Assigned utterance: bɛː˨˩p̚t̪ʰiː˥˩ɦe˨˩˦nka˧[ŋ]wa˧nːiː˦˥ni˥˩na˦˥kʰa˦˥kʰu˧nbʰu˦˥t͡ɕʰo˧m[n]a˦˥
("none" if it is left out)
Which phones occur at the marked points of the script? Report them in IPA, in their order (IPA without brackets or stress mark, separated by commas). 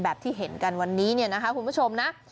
n, n